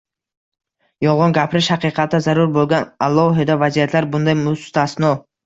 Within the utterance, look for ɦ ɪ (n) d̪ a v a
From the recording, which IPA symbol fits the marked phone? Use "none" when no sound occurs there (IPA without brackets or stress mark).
none